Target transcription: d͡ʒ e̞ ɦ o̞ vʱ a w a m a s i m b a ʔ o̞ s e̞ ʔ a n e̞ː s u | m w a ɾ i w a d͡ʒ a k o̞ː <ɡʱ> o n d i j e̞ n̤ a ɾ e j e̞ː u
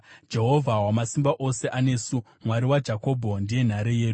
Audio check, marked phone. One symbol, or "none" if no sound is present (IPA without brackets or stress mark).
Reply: bʱ